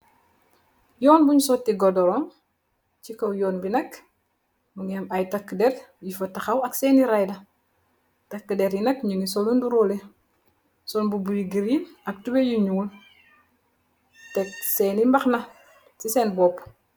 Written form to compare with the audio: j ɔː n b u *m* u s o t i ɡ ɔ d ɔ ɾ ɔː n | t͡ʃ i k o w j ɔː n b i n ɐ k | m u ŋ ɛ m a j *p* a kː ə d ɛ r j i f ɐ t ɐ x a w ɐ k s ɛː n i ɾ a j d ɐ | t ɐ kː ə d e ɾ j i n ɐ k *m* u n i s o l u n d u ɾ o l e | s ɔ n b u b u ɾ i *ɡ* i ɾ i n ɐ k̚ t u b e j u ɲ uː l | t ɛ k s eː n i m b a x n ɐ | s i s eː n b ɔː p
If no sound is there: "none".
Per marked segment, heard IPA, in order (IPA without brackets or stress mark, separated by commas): ɲ, t, ɲ, ɡ